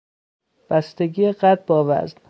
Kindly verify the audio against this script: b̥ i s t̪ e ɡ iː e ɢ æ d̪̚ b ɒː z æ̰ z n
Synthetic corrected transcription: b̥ æ s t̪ e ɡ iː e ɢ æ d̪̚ b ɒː v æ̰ z n